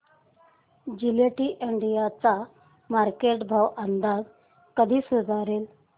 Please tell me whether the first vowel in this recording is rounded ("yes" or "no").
no